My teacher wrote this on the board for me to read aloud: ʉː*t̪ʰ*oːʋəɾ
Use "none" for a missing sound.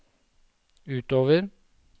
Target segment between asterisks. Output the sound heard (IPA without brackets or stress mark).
t̪